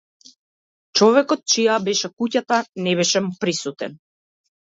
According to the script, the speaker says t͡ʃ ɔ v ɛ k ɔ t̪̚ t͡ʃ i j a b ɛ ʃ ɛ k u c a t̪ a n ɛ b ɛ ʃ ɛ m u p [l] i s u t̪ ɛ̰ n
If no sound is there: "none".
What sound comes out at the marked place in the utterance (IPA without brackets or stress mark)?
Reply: ɾ